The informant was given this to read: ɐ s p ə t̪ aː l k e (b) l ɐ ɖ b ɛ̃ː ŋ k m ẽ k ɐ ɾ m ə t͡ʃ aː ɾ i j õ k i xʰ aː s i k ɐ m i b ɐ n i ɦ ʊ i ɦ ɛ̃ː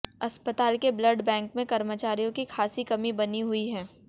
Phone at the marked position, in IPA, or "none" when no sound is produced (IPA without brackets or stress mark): b